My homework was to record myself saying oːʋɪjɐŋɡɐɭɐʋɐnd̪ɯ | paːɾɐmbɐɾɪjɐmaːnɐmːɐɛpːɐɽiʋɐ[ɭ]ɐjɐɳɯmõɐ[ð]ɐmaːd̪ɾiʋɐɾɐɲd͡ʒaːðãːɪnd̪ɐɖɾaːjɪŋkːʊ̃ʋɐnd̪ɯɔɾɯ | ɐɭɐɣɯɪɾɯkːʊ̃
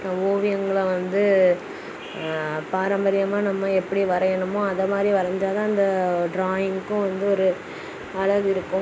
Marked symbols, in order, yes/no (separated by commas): no, yes